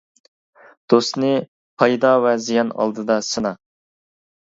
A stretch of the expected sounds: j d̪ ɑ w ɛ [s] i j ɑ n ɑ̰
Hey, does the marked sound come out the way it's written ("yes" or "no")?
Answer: no